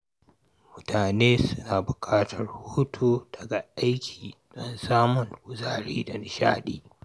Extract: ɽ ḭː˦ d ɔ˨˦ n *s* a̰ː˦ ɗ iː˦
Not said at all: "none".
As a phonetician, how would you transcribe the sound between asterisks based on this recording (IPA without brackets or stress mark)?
ʃ